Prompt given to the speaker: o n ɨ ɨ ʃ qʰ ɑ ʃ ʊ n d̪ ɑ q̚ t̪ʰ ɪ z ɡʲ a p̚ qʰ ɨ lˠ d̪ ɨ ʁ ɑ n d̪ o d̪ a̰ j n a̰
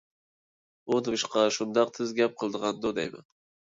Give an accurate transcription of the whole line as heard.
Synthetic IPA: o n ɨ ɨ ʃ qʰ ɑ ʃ ʊ n d̪ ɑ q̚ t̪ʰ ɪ z ɡʲ a p̚ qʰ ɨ lˠ d̪ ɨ ʁ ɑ n d̪ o d̪ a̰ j m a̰